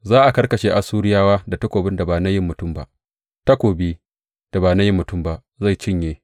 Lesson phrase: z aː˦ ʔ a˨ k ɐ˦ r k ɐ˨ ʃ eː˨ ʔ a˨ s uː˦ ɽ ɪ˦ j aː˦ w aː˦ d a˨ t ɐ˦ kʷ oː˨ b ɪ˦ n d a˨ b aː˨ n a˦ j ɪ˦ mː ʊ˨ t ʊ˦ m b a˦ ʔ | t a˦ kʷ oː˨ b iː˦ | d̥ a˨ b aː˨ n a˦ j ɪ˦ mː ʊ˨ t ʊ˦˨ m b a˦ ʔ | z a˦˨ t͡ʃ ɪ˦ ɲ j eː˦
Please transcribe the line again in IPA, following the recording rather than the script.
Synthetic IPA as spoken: z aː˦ ʔ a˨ k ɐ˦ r k ɐ˨ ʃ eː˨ ʔ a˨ s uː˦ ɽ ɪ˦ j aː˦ w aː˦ d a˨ t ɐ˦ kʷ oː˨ b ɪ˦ n d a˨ b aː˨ n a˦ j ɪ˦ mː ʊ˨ t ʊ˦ m b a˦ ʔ | t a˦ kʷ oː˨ b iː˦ | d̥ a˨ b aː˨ n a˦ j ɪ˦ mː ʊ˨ t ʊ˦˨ m b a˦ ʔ | z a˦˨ t͡ʃ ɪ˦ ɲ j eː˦

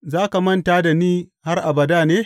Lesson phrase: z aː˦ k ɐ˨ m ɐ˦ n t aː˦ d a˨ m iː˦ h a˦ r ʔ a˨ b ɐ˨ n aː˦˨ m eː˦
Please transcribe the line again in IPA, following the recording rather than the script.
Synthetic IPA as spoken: z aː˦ k a˨ m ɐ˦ n t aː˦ d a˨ n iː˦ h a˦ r ʔ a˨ b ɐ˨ d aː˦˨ n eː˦

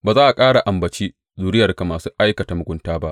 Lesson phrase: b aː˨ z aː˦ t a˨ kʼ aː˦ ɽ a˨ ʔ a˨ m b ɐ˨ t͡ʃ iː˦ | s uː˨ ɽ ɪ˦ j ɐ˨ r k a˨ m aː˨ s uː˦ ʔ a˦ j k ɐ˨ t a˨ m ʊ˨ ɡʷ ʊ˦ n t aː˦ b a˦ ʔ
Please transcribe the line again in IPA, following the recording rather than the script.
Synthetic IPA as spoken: b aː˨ z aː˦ ʔ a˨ kʼ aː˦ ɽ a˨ ʔ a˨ m b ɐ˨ t͡ʃ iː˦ | z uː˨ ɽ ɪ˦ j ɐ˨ r k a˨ m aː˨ s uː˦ ʔ a˦ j k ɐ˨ t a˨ m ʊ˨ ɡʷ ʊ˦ n t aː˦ b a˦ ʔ

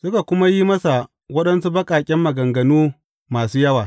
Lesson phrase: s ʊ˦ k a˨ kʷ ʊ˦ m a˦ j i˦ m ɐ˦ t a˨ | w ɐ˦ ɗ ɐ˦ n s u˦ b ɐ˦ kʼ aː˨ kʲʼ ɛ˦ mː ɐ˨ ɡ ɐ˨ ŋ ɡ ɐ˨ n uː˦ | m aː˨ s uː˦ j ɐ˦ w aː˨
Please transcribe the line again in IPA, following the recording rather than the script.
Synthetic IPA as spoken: s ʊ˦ k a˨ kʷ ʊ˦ m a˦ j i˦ m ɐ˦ s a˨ | w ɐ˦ ɗ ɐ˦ n s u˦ b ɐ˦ kʼ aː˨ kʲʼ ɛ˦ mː ɐ˨ ɡ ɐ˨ ŋ ɡ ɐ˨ n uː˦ | m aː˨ s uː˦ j ɐ˦ w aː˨

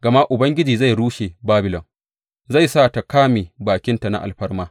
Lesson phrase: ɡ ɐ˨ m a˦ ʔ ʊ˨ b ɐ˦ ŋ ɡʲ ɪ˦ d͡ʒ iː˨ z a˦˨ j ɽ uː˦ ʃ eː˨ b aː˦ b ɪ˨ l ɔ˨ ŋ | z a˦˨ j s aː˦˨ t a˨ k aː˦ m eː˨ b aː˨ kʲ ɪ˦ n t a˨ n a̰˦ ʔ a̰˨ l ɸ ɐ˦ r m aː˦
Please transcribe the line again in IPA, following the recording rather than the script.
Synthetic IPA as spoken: ɡ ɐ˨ m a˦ ʔ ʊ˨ b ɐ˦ ŋ ɡʲ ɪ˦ d͡ʒ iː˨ z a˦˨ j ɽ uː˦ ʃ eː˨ b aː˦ b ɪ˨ l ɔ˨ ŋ | z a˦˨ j s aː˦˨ t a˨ k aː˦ m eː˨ b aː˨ kʲ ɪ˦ n t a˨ n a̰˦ ʔ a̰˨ l ɸ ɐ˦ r m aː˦

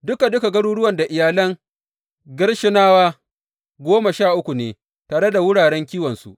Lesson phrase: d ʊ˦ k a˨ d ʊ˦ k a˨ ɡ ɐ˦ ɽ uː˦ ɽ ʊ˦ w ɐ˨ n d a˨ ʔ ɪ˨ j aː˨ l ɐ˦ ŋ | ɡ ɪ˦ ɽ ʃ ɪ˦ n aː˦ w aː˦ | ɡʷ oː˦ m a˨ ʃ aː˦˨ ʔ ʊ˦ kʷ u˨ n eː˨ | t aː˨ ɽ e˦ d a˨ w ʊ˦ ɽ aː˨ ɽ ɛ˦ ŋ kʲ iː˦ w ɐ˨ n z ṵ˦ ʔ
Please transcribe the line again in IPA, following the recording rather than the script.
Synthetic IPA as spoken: d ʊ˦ k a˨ d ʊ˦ k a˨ ɡ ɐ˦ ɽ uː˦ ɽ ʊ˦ w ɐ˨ n d a˨ ʔ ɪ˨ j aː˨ l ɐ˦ ŋ | ɡ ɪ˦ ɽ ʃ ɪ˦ n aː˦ w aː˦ | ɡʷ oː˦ m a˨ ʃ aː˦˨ ʔ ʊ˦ kʷ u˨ n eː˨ | t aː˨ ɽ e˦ d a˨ w ʊ˦ ɽ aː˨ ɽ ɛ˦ ŋ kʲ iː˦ w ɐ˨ n s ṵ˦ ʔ

